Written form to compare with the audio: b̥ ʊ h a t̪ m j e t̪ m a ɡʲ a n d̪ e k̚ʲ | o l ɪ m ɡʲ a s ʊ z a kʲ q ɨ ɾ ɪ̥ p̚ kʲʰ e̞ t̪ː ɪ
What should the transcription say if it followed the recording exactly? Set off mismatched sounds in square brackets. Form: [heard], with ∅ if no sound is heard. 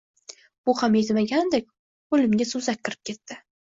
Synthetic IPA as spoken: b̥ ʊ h a [∅] m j e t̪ m a ɡʲ a n d̪ e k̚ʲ | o l ɪ m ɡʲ a s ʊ z a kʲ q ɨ ɾ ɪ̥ p̚ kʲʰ e̞ t̪ː ɪ